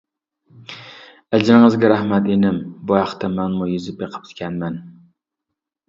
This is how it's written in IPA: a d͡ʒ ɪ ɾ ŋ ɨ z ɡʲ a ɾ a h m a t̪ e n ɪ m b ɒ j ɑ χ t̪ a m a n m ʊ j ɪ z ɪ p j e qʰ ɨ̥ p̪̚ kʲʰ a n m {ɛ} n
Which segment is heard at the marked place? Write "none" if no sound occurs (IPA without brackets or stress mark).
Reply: a